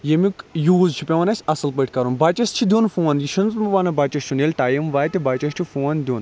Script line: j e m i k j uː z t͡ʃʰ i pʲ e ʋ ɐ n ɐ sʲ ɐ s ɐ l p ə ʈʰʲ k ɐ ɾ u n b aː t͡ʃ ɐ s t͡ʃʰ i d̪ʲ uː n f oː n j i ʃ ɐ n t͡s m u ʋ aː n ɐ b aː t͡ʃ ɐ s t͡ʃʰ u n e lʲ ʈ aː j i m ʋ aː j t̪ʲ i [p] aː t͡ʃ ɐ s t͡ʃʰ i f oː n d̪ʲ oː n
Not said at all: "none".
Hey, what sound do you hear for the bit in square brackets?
b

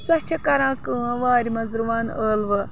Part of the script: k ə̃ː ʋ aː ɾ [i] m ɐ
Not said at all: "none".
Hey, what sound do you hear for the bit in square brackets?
i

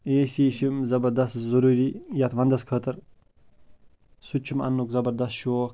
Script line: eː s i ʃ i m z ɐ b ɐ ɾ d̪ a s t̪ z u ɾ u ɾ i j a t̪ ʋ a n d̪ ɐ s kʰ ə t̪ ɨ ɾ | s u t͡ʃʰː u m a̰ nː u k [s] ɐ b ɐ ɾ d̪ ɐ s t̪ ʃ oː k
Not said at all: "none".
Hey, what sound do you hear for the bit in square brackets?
z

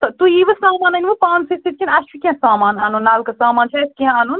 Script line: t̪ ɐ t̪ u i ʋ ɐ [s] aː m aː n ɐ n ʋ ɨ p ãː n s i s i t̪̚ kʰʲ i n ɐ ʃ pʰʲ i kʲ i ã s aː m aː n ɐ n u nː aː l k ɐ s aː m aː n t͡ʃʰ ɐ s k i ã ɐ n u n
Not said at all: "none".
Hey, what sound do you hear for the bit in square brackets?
s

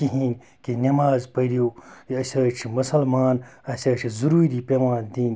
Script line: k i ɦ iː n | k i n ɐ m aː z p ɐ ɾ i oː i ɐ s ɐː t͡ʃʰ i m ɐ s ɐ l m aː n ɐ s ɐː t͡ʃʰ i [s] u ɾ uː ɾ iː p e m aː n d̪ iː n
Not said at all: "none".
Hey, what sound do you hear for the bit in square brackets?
z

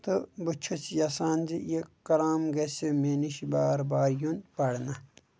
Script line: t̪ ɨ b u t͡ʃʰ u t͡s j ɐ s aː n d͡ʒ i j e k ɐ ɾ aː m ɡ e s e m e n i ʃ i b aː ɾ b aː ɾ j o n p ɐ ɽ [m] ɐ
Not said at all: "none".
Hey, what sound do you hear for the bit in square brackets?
n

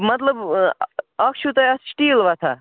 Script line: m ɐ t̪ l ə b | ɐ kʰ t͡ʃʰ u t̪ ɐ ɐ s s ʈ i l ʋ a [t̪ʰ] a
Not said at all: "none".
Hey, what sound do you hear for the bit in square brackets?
t̪ʰ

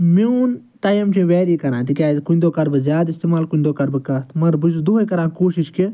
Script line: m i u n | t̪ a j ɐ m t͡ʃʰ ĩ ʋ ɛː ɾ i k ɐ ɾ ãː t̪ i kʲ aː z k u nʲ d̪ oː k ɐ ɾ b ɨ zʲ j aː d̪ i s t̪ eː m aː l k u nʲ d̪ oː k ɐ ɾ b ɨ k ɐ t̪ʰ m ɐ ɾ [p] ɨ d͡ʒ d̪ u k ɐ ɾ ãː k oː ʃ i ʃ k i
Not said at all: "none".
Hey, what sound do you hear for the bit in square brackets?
b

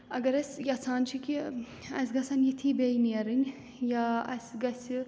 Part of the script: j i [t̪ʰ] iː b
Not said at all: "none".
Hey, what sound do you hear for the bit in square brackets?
t̪ʰ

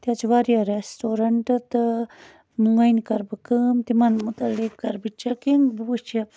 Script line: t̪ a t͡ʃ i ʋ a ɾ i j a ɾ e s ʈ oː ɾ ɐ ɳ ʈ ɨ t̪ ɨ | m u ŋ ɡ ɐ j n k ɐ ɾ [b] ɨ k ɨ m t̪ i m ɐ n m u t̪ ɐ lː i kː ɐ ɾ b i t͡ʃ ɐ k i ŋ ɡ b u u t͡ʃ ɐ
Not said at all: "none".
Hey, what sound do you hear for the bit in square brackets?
b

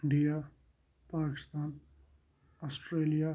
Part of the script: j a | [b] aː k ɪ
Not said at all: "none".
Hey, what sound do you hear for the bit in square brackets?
p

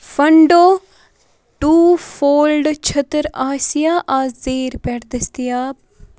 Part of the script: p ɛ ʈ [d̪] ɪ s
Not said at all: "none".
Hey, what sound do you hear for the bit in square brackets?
d̪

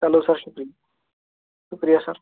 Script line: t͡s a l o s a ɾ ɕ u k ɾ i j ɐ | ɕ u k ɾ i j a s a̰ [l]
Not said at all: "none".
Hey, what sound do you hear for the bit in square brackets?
ɾ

